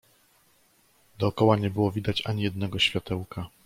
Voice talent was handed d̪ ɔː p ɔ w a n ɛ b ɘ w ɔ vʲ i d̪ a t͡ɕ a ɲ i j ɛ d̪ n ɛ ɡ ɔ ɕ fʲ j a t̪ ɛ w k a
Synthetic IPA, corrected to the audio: d̪ ɔː k ɔ w a ɲ ɛ b ɘ w ɔ vʲ i d̪ a t͡ɕ a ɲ i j ɛ d̪ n ɛ ɡ ɔ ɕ fʲ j a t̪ ɛ w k a